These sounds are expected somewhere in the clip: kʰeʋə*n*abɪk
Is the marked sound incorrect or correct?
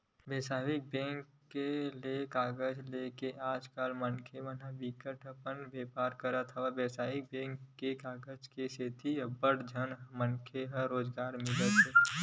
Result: correct